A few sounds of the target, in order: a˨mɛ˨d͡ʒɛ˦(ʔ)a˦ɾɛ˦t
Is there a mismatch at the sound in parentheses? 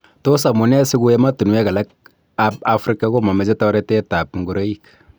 yes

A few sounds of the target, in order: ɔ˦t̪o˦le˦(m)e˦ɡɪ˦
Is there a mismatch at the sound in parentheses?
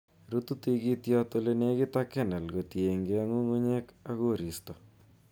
yes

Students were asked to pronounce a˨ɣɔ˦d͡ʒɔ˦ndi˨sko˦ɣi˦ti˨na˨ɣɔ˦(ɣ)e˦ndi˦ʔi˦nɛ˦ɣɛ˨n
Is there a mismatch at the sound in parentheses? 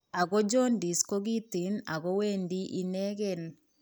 yes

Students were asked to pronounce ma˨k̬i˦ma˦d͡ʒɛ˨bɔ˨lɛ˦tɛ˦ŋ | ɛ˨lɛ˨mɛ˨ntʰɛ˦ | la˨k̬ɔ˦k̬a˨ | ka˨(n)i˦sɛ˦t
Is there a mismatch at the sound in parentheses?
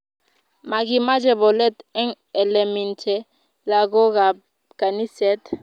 no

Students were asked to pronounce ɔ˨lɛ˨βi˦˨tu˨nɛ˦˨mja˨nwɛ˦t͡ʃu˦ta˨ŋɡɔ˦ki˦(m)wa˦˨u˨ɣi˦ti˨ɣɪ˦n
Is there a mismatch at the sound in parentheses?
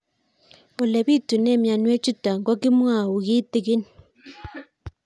no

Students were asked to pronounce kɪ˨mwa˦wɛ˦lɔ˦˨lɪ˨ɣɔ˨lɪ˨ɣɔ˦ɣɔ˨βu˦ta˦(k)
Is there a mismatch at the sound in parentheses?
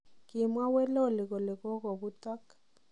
no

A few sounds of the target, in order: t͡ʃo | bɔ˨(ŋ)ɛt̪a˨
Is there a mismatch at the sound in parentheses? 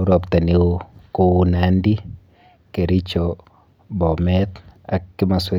yes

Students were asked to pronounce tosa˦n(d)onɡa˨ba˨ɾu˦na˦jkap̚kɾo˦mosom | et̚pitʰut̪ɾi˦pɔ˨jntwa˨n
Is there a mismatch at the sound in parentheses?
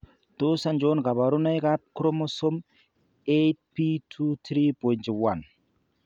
yes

